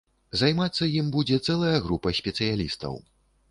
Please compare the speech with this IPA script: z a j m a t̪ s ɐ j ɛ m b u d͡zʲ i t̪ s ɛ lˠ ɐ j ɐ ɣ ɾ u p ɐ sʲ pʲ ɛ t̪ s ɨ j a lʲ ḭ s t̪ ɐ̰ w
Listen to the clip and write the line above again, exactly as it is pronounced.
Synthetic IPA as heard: z a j m a t̪ sː ɐ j i m b u d͡zʲ ɛ t̪ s ɛ lˠ ɐ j ɐ ɣ ɾ u p ɐ sʲ pʲ ɛ t̪ s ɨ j a lʲ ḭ s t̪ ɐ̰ w